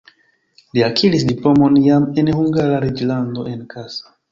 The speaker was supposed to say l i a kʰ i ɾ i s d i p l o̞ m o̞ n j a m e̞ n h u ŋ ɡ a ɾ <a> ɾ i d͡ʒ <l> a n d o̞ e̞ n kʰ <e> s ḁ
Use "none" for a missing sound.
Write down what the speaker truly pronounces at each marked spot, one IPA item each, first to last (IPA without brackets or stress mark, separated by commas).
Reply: a, l, a